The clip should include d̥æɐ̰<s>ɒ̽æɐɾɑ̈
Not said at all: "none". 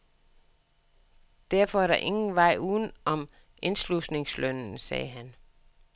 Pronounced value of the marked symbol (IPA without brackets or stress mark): f